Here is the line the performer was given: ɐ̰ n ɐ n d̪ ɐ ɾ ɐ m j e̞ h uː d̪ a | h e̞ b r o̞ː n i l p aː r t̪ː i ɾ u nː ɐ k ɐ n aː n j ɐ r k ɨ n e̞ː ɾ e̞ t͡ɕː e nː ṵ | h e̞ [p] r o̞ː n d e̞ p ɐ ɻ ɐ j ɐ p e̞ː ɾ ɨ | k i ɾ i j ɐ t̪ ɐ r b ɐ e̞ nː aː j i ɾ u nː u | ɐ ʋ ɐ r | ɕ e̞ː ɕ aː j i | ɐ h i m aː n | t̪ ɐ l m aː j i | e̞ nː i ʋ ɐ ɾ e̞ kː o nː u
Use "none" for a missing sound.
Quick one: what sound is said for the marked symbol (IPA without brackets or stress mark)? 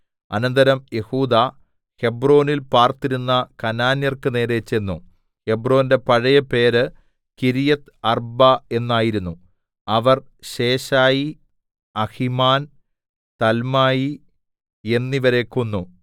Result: b